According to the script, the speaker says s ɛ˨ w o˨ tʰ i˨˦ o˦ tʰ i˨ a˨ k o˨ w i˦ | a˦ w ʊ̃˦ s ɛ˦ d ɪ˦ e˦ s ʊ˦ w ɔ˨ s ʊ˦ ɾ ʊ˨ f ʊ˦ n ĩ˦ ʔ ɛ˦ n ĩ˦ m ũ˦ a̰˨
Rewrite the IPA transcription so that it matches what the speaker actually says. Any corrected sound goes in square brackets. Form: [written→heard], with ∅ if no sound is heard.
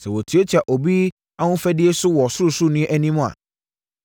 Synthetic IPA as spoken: s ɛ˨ w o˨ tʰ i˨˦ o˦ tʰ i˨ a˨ [k→ʔ] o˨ [w→b] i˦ | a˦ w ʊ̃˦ [s→f] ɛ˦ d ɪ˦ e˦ s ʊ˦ w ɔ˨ s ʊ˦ ɾ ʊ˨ [f→s] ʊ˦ n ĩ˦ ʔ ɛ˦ n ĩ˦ m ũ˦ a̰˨

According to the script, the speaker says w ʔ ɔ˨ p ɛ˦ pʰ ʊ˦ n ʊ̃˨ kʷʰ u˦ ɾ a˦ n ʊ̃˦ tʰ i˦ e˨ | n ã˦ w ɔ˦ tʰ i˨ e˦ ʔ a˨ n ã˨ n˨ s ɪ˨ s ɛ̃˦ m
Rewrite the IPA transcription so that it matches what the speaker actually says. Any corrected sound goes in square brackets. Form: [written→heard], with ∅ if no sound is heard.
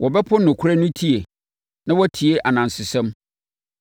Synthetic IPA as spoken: w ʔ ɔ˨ [p→b] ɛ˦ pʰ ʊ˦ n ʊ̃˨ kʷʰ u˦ ɾ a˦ n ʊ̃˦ tʰ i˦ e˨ | n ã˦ w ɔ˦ tʰ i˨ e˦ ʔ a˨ n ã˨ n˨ s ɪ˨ s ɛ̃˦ m

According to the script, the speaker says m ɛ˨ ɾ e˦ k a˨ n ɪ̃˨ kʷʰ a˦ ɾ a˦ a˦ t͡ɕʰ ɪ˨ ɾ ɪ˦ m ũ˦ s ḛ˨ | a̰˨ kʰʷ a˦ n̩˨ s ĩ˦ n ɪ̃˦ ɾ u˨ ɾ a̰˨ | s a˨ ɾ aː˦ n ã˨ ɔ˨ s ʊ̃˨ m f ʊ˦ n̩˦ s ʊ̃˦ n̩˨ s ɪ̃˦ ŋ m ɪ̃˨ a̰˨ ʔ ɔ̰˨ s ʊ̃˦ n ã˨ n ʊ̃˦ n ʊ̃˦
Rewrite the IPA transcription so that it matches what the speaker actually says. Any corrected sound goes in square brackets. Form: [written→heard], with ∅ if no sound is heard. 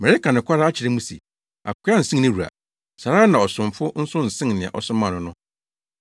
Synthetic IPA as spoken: m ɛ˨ ɾ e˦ k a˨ n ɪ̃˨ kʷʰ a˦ ɾ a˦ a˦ t͡ɕʰ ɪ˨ ɾ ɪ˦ m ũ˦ s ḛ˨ | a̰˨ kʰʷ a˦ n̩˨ s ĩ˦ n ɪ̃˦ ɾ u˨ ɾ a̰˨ | s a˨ ɾ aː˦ n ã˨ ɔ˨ s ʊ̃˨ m f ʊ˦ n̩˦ s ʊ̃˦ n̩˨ s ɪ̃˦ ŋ [m→n] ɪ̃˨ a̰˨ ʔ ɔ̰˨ s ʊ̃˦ [n→m] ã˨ n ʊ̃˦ n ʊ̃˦

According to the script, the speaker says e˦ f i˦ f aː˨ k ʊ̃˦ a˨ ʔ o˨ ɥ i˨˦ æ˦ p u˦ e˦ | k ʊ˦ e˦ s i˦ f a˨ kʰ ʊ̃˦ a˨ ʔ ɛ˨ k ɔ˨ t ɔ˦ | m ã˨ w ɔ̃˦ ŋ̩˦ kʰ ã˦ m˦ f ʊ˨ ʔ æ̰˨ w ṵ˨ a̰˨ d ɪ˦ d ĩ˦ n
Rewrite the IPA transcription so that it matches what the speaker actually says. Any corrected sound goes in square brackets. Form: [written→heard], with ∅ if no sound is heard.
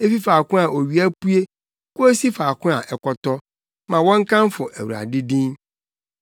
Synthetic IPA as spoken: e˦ f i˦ f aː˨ k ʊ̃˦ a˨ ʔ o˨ ɥ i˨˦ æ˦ p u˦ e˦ | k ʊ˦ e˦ s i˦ f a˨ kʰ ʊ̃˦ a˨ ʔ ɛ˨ k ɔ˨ t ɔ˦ | m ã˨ w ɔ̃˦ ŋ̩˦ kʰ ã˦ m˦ f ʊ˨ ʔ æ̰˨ w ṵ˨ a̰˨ d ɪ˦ d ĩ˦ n

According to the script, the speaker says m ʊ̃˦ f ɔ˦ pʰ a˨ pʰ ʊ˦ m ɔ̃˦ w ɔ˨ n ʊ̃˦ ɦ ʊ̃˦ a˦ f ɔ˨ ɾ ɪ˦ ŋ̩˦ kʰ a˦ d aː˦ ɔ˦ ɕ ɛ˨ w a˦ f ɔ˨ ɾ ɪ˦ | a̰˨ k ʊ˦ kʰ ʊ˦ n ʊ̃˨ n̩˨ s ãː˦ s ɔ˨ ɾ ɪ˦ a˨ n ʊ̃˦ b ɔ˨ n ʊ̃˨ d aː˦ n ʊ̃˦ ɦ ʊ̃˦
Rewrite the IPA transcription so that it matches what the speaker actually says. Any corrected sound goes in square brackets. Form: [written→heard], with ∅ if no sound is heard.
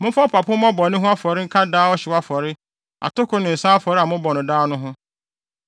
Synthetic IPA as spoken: m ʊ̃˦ f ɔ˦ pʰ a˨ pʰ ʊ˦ m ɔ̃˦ [w→b] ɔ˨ n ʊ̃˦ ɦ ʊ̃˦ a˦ f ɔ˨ ɾ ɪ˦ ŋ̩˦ kʰ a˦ d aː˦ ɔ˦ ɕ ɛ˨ w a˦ f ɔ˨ ɾ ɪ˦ | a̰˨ [k→t] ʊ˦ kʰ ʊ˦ n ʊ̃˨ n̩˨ s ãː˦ [s→f] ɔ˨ ɾ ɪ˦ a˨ [n→m] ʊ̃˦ b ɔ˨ n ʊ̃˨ d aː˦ n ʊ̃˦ ɦ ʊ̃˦

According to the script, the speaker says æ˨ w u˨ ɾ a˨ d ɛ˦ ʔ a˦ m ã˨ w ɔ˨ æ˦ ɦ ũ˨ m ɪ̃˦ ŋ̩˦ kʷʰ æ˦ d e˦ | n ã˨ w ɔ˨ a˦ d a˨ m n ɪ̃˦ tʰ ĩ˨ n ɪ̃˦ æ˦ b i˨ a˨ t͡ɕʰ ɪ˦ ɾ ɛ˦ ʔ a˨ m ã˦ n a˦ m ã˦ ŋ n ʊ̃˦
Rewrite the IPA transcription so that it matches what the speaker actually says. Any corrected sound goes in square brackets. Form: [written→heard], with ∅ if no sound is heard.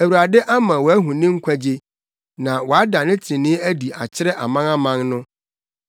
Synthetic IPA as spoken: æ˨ w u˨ ɾ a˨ d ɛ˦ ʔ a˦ m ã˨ w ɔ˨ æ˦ ɦ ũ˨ [m→n] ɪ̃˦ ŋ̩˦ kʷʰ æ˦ [d→d͡ʑ] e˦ | n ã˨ w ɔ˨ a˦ d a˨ [m→∅] n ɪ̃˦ tʰ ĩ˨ n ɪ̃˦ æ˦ [b→d] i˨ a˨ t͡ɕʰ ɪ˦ ɾ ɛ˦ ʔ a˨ m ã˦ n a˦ m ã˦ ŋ n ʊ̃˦

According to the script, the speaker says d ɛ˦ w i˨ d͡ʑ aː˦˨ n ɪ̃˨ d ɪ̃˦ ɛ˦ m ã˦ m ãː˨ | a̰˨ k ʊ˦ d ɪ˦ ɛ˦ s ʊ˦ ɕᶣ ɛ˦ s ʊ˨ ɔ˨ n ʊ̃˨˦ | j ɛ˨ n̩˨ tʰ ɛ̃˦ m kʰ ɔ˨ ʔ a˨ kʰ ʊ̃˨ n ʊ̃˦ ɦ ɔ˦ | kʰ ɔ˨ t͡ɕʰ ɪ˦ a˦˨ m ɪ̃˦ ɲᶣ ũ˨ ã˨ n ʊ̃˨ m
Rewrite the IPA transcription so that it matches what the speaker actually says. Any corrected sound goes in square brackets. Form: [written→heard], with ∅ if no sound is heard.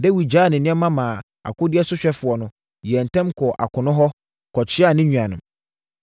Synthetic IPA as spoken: d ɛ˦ w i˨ d͡ʑ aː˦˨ n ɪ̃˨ [d→n] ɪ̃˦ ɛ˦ m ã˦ m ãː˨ | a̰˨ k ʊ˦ d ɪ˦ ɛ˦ s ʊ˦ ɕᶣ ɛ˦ [s→f] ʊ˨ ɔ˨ n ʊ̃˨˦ | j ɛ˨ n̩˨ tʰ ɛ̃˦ m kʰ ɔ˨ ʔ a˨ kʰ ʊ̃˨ n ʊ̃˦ ɦ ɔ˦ | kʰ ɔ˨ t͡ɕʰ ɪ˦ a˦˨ [m→n] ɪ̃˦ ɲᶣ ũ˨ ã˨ n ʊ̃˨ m

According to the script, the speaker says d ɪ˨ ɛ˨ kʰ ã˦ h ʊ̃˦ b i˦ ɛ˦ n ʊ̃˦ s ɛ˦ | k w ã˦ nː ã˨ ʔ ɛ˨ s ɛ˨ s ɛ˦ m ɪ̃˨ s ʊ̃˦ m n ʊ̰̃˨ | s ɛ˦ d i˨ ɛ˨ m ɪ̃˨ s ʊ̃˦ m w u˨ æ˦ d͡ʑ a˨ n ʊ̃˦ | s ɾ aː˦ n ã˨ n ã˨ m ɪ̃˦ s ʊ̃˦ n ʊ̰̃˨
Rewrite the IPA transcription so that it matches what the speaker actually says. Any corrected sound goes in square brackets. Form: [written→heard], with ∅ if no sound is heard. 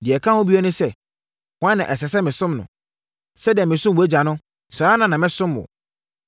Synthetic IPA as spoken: d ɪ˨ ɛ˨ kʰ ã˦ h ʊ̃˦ b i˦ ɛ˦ n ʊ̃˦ s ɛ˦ | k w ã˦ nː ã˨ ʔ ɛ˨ s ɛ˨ s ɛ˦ m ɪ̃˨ s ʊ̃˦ m n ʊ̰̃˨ | s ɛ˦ d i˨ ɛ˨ m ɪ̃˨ s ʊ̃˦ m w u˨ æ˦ d͡ʑ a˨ n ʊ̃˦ | s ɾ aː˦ n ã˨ n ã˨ m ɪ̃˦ s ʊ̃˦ [n→m] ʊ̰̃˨

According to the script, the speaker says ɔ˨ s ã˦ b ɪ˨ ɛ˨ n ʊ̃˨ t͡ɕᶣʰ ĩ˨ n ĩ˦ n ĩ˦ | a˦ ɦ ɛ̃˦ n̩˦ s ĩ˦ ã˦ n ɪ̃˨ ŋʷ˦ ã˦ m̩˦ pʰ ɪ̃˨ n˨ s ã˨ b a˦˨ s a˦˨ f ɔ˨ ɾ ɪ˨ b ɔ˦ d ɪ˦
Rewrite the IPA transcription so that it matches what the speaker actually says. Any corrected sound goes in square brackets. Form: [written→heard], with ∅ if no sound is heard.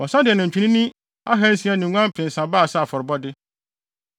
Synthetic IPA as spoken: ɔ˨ s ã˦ [b→d] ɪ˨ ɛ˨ n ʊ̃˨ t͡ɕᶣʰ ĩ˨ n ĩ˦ n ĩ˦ | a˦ ɦ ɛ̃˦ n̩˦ s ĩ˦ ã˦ n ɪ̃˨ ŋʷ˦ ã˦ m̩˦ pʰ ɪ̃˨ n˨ s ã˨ b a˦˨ s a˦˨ f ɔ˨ ɾ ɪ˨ b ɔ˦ d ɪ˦

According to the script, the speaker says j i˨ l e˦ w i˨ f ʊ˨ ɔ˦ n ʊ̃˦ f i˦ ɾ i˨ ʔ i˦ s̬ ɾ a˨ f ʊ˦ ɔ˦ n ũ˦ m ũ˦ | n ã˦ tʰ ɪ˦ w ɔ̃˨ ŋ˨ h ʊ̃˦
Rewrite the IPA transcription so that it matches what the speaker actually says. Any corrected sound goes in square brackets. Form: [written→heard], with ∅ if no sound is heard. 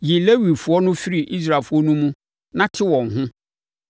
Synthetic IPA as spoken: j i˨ l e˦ w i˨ f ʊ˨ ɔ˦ n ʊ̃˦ f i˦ ɾ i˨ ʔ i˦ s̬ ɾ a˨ f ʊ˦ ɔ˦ n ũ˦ m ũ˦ | n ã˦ tʰ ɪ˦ w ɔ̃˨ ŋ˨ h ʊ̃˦

